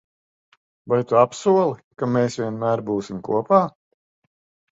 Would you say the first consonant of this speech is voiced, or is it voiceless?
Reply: voiced